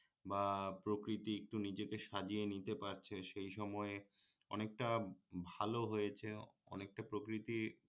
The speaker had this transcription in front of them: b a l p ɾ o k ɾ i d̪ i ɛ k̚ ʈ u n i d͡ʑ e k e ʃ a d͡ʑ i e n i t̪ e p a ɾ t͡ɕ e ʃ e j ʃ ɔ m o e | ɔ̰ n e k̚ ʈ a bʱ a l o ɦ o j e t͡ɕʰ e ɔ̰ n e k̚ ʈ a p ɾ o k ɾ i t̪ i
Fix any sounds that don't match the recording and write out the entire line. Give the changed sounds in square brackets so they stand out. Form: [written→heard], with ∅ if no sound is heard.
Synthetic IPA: b a [l→∅] p ɾ o k ɾ i [d̪→t̪] i [ɛ→e] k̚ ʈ u n i d͡ʑ e k e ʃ a d͡ʑ i e n i t̪ e p a ɾ [t͡ɕ→t͡ɕʰ] e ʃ e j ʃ ɔ m [o→ɔ] e | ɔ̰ n e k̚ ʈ a bʱ a l o ɦ o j e t͡ɕʰ e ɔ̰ n e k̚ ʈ a p ɾ o k ɾ i t̪ i